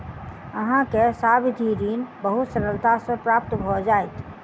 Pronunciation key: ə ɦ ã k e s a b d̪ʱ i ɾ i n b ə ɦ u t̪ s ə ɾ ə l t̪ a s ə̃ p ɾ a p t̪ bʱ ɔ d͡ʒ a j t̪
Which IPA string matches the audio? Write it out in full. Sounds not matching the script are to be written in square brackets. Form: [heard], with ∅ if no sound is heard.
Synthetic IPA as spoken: ə ɦ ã k e s a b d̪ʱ i ɾ i n b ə ɦ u t̪ s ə ɾ ə l t̪ a s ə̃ p ɾ a p t̪ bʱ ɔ d͡ʒ a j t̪